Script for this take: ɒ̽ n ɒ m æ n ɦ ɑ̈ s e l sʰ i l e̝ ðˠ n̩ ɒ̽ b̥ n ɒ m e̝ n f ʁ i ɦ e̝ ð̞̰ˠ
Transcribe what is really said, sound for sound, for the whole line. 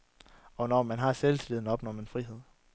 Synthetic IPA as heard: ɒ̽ n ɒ m æ n ɦ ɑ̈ s e l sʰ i l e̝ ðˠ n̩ ɒ̽ b̥ n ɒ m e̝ n f ʁ i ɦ e̝ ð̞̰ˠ